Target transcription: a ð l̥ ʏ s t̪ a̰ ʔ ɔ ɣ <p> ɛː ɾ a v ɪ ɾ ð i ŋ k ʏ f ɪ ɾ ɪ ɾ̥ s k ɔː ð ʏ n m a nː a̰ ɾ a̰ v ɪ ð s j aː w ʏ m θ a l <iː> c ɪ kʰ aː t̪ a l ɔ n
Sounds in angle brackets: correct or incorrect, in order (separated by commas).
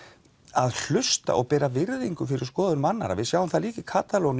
correct, correct